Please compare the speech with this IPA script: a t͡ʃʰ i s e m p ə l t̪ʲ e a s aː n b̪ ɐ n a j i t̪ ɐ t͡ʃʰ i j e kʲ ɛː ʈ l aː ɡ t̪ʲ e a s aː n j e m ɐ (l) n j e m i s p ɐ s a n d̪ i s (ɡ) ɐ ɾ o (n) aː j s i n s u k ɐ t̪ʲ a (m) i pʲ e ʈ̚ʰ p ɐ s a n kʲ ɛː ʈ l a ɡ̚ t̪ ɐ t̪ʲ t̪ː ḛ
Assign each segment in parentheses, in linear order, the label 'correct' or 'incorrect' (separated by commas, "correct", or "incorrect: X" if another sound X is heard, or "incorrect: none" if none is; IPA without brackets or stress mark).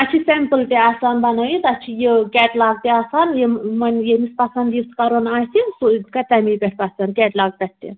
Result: incorrect: none, incorrect: k, correct, correct